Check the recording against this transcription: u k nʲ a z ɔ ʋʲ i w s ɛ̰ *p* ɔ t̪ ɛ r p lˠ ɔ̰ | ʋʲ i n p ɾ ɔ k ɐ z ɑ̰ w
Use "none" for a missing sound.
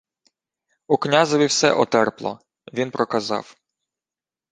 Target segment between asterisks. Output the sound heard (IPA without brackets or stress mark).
ʔ